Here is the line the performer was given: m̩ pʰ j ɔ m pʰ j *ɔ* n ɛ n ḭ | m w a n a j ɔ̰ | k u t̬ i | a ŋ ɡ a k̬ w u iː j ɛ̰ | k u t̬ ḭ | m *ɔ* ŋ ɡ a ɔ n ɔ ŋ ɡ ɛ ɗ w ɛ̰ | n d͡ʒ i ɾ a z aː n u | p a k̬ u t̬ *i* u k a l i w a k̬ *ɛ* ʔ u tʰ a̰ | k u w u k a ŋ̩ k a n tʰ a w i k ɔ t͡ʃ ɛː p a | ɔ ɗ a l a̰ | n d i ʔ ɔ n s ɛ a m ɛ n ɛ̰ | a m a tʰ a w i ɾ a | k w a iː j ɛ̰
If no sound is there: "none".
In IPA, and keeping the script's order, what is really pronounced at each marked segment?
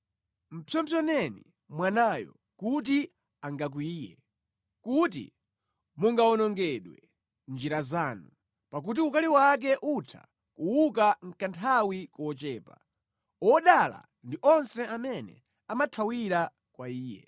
ɔ, u, i, ɛ

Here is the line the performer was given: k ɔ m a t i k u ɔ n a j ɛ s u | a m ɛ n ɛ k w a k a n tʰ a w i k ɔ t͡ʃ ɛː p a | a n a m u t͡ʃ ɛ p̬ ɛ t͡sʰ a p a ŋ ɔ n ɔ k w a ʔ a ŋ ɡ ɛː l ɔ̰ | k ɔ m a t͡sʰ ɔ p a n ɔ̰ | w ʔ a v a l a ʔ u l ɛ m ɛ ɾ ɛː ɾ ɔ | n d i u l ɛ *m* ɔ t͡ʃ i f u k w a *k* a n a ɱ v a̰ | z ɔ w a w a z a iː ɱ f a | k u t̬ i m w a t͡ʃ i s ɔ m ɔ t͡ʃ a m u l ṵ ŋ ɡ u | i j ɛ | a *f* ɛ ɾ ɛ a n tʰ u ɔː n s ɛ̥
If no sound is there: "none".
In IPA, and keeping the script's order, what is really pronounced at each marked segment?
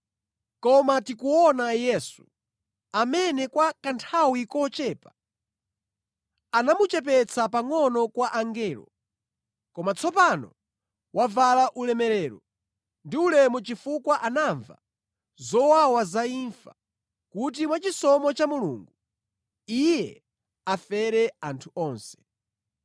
m, ʔ, f

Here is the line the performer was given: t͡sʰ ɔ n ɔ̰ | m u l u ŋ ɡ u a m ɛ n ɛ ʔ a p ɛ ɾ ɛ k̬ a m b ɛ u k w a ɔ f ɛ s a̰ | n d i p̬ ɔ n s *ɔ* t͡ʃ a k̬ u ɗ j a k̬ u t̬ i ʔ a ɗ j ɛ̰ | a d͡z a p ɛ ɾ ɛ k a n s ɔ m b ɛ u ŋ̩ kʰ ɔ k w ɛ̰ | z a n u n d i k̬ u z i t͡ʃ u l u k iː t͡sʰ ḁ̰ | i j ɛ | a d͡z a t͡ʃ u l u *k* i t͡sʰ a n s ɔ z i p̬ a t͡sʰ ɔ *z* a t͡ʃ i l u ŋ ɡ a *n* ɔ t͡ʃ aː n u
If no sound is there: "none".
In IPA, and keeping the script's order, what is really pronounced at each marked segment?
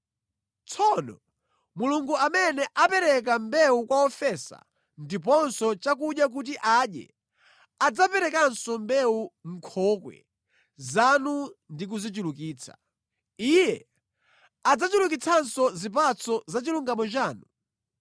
ɔ, k, z, m

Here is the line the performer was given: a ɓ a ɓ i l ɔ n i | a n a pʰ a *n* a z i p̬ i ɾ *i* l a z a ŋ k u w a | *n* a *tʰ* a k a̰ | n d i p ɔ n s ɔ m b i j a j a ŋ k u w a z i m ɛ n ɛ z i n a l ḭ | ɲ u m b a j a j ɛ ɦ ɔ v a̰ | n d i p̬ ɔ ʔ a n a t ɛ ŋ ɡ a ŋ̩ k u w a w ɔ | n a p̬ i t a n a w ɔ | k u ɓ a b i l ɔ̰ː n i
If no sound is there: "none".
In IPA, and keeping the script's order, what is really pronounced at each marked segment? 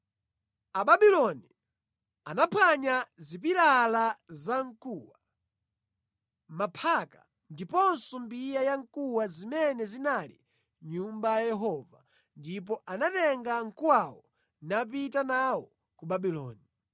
ɲ, a, m, pʰ

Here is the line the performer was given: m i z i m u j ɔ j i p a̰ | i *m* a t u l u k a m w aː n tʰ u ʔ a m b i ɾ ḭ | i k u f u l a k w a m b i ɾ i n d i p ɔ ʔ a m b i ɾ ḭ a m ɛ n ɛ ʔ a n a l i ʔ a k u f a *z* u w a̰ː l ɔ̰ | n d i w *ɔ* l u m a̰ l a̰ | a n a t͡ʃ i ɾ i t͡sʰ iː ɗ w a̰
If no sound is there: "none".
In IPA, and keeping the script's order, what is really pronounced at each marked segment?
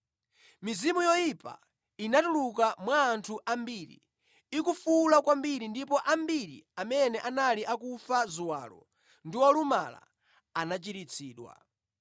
n, z, ɔ

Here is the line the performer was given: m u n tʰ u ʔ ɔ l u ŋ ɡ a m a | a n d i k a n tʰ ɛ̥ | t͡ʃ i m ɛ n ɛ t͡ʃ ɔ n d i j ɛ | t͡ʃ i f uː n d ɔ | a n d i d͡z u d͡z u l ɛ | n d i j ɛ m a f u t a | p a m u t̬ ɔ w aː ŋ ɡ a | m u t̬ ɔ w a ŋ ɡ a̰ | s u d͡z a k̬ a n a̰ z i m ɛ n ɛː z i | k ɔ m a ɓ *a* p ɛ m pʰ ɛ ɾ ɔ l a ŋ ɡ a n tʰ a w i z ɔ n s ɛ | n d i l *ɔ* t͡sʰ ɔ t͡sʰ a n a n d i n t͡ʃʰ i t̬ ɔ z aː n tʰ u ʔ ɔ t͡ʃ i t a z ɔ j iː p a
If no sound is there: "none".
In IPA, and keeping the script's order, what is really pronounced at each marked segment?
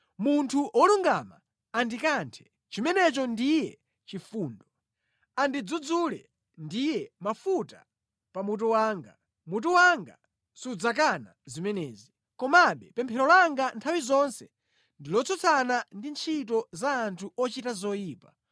ɛ, ɔ

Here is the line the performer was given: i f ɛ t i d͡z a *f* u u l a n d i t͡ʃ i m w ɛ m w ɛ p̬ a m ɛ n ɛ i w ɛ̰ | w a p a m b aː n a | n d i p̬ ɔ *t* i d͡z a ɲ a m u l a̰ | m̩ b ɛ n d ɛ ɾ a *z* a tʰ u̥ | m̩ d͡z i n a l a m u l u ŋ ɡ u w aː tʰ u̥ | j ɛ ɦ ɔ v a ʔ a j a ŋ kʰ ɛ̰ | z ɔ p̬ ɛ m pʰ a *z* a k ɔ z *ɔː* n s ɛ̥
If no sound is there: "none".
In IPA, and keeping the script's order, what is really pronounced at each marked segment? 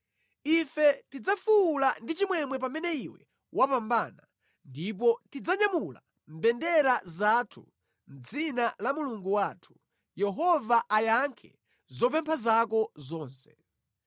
f, t, z, z, ɔː

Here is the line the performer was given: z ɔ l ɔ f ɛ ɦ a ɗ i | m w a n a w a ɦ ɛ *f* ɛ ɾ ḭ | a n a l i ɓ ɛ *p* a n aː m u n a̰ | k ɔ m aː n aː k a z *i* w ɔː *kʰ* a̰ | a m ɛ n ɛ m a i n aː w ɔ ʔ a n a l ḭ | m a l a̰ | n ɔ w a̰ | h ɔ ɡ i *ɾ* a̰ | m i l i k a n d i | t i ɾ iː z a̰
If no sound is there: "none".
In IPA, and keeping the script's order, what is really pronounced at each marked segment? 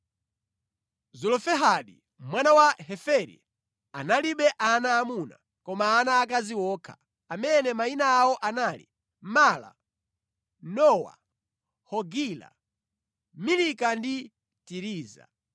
f, ʔ, i, kʰ, l

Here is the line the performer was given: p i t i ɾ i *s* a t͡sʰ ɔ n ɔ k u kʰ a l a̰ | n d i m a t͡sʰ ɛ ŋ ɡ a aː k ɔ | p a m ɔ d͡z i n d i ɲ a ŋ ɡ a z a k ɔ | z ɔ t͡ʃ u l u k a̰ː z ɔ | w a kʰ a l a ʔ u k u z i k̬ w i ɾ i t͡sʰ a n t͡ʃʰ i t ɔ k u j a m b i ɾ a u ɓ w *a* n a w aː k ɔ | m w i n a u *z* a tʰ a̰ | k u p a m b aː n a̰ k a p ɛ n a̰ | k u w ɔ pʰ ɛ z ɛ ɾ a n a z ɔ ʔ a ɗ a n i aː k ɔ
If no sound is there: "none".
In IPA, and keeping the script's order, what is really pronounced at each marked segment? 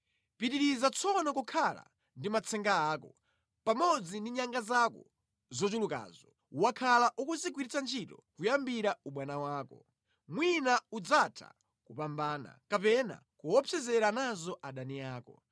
z, a, d͡z

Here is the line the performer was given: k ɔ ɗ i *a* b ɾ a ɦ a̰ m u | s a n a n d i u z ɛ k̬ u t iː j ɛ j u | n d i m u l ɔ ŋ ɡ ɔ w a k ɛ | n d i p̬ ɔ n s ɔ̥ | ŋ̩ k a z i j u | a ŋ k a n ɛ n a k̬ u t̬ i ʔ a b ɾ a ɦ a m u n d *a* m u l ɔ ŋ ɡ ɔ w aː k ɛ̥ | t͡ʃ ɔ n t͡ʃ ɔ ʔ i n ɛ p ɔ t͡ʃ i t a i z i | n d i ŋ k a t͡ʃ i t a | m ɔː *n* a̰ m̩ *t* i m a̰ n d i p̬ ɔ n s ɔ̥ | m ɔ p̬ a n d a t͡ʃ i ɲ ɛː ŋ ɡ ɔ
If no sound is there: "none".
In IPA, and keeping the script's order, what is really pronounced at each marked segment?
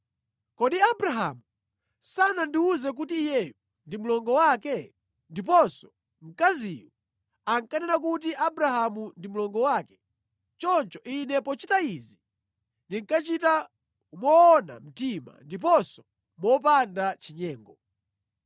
a, i, n, t

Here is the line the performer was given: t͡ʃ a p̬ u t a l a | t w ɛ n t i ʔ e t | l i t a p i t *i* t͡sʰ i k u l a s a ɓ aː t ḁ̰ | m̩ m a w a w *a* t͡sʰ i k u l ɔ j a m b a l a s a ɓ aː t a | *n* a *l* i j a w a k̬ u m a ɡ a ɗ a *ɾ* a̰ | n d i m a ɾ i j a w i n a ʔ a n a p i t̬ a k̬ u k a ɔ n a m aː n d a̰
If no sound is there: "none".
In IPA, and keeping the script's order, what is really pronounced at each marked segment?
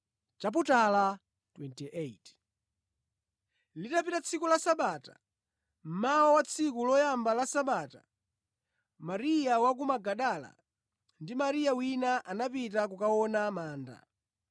a, a, m, ɾ, l

